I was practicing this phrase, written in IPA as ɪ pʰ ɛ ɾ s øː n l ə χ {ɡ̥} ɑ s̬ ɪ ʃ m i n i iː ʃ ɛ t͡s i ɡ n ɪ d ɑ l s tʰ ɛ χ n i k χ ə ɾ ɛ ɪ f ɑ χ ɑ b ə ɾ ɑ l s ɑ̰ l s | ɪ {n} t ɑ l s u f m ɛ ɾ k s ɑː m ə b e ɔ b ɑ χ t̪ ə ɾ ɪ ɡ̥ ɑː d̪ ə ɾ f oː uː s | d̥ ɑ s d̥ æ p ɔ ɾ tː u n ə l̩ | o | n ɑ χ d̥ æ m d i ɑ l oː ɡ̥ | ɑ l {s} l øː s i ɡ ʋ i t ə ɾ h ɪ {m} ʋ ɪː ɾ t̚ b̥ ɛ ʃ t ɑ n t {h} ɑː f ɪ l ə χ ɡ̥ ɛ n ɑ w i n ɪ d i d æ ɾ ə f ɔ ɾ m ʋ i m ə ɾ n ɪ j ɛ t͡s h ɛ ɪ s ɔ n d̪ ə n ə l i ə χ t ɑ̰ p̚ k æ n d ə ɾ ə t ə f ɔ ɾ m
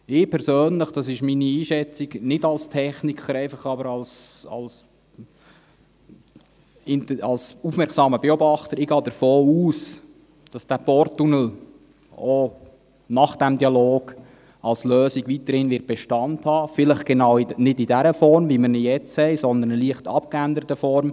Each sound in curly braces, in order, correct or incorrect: incorrect: d̥, correct, correct, incorrect: n, correct

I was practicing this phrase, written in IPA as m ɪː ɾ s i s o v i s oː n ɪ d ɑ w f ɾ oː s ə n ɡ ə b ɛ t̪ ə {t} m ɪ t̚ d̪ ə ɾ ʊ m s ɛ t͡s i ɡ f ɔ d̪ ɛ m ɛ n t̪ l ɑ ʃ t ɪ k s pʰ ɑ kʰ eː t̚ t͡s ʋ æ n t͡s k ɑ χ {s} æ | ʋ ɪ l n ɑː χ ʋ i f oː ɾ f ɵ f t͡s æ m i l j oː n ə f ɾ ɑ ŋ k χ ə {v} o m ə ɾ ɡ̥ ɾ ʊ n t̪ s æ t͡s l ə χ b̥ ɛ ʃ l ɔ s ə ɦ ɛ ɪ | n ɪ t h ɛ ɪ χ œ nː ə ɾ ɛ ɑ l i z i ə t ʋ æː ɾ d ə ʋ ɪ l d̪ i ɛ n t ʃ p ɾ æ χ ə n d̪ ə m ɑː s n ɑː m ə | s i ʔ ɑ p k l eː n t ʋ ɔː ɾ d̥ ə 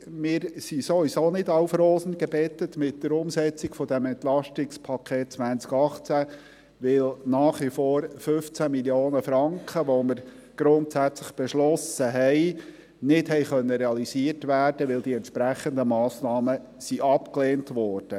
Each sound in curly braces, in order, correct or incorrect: correct, incorrect: t͡s, incorrect: ʋ

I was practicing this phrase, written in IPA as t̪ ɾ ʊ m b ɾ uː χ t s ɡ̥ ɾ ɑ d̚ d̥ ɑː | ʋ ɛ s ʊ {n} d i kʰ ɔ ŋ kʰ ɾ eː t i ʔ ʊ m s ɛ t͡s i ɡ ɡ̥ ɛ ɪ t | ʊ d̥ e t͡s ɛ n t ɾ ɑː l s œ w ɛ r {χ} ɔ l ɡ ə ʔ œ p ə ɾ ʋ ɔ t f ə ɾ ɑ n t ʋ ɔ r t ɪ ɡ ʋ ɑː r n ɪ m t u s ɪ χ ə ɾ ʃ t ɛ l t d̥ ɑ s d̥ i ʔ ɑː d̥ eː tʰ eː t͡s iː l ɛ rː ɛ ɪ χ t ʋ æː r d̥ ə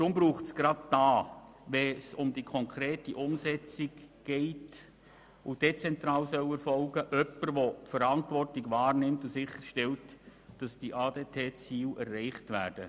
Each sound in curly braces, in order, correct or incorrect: incorrect: m, incorrect: f

